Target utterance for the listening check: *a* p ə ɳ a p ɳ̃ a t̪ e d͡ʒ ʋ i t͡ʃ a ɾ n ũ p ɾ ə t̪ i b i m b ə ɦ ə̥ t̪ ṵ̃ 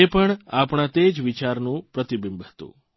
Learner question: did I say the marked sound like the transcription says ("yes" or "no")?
no